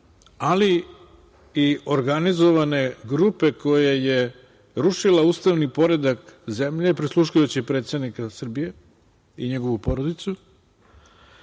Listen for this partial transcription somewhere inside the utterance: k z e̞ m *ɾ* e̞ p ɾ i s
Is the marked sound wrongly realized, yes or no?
yes